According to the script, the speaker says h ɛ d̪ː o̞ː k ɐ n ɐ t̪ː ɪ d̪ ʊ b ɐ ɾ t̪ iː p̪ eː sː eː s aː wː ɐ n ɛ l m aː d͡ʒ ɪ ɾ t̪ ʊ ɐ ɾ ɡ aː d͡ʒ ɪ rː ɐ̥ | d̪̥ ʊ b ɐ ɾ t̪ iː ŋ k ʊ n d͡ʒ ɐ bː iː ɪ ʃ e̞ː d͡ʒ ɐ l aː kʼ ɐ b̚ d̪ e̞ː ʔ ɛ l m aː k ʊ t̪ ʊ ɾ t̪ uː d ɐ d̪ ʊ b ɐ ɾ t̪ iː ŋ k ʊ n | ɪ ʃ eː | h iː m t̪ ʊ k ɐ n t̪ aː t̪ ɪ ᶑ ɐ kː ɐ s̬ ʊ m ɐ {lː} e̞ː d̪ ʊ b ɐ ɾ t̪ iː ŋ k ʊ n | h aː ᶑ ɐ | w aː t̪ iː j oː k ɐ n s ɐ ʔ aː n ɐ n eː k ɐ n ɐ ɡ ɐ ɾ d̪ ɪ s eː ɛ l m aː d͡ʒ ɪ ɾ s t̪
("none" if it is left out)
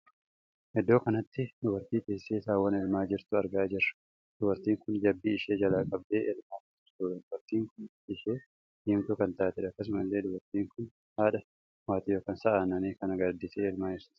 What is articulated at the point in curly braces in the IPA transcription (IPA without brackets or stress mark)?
lː